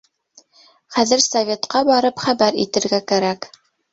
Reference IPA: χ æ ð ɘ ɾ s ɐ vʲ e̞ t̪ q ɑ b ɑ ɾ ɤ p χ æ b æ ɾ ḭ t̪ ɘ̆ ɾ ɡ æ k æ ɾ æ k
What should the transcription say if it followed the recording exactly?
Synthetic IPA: χ æ ð ɘ ɾ s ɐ vʲ e̞ t̪ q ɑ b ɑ ɾ ɤ p χ æ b æ ɾ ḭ t̪ ɘ̆ ɾ ɡ æ k æ ɾ æ k